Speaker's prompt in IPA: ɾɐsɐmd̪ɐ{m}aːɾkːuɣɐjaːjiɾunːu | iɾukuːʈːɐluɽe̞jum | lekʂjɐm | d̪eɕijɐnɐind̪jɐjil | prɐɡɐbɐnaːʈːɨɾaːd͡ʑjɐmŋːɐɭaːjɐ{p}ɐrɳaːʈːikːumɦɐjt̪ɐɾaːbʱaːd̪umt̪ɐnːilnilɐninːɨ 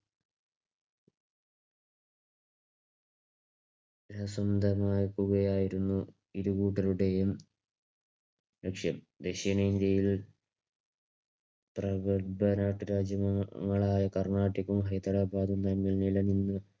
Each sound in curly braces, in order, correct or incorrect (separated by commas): correct, incorrect